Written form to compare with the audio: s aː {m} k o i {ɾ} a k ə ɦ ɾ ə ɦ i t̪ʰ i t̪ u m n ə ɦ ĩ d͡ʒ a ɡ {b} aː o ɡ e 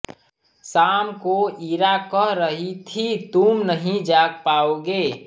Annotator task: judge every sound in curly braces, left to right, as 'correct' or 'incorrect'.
correct, correct, incorrect: p

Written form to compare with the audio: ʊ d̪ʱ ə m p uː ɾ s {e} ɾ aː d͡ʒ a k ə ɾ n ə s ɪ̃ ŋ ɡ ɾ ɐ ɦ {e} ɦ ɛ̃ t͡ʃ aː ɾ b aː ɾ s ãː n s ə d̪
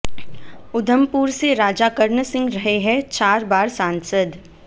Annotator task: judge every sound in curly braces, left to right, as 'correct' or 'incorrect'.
correct, correct

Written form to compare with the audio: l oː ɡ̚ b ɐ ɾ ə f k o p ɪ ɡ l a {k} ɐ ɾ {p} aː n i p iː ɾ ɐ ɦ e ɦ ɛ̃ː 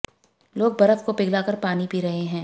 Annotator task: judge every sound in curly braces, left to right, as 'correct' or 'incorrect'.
correct, correct

